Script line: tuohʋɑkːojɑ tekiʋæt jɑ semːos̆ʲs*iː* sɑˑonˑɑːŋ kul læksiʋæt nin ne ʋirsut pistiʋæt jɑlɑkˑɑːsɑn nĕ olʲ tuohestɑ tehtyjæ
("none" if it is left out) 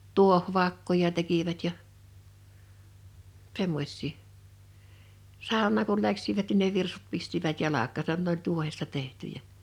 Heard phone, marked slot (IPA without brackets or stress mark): iː